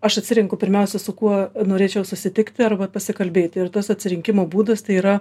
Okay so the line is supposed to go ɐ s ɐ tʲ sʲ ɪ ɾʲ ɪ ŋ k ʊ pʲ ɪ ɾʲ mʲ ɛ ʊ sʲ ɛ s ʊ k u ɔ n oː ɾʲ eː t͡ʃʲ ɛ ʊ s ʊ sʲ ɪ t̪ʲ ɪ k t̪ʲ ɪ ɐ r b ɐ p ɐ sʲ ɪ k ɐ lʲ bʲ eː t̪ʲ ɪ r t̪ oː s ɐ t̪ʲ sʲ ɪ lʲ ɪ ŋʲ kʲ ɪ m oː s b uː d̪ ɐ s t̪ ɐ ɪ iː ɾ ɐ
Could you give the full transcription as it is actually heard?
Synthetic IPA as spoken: ɐ ʃ ɐ tʲ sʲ ɪ ɾʲ ɪ ŋ k ʊ pʲ ɪ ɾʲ mʲ ɛ ʊ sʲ ɛ s ʊ k u ɔ n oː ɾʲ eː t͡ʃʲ ɛ ʊ s ʊ sʲ ɪ t̪ʲ ɪ k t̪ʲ ɪ ɐ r b ɐ p ɐ sʲ ɪ k ɐ lʲ bʲ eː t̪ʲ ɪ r t̪ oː s ɐ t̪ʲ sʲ ɪ ɾʲ ɪ ŋʲ kʲ ɪ m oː b uː d̪ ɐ s t̪ ɐ ɪ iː ɾ ɐ